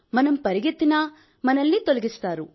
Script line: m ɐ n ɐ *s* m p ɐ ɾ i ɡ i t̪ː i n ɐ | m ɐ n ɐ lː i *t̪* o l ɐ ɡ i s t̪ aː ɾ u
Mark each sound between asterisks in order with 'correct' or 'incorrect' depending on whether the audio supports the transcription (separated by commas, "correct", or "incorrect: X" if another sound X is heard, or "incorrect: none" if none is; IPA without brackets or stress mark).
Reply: incorrect: none, correct